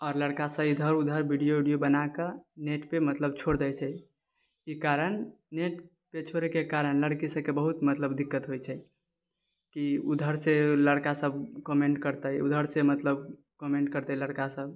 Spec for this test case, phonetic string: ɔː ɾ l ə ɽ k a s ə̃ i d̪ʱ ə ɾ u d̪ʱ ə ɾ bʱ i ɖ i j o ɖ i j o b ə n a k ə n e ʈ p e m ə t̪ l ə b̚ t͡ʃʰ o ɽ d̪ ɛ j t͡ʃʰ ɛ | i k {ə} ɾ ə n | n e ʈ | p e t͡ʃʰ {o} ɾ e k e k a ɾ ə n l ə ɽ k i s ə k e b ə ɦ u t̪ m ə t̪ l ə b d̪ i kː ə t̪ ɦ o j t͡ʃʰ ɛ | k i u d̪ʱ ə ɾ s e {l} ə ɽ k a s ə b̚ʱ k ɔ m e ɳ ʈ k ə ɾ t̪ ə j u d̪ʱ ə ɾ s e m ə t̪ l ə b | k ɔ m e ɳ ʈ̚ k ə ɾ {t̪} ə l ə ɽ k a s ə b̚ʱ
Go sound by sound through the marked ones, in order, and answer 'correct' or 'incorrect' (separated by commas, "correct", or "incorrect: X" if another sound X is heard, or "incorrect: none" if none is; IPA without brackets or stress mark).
incorrect: a, correct, correct, correct